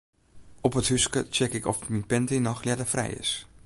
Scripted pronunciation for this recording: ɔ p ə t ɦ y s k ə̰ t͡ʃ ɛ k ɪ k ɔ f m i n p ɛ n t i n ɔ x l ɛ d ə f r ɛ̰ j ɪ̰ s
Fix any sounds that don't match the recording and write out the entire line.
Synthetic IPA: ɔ p ə t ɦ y s k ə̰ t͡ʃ ɛ k ɪ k ɔ f m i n p ɛ n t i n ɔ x l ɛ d ə f r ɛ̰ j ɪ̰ s